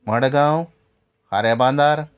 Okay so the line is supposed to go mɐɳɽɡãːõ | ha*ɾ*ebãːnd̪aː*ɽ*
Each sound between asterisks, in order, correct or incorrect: correct, incorrect

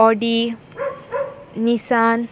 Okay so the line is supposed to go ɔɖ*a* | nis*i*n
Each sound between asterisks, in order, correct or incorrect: incorrect, incorrect

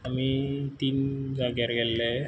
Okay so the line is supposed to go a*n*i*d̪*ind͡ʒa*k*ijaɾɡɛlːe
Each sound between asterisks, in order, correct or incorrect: incorrect, incorrect, incorrect

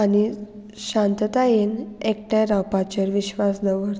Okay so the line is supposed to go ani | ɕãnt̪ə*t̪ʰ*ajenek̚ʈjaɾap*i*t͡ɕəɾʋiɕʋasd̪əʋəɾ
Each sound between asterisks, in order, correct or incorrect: incorrect, incorrect

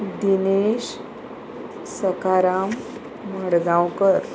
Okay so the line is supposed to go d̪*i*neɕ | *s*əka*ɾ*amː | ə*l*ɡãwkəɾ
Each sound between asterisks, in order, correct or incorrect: correct, correct, correct, incorrect

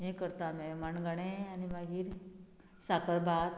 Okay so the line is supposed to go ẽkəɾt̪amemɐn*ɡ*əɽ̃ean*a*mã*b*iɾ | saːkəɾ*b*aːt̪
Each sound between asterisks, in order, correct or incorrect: correct, incorrect, incorrect, correct

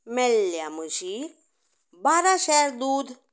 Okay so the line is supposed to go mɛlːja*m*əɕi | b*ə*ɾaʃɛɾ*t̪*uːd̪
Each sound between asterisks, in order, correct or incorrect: correct, incorrect, incorrect

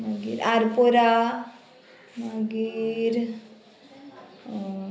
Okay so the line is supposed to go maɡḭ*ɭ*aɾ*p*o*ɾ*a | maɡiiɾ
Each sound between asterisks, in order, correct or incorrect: incorrect, correct, correct

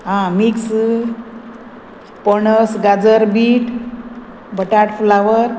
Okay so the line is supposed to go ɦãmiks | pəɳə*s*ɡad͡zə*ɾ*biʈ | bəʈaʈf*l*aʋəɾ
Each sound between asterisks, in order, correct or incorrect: correct, correct, correct

